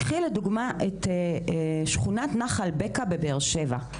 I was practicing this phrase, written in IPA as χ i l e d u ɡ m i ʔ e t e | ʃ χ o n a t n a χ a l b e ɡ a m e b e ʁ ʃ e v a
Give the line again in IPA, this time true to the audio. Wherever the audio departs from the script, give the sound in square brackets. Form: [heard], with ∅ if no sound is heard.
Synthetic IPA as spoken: χ i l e d u ɡ m [a] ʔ e t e | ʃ χ [u] n a t n a χ a l b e [k] a [b] e b e ʁ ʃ e v a